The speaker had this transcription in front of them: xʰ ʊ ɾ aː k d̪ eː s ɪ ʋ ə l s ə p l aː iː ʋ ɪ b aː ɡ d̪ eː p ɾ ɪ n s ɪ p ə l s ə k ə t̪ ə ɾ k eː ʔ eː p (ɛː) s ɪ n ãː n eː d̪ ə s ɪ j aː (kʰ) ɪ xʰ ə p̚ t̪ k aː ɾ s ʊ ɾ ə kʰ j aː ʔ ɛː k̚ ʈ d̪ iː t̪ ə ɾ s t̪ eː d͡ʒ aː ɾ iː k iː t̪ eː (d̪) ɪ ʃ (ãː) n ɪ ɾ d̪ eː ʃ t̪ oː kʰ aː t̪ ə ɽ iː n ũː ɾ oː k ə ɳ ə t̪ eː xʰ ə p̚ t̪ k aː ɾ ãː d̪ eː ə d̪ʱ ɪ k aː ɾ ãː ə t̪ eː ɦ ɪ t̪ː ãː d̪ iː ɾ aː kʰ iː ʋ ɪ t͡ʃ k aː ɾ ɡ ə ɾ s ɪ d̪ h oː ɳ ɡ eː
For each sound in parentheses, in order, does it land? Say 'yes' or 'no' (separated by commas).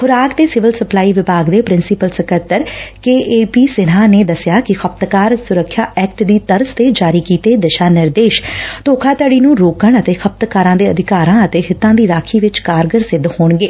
no, no, yes, no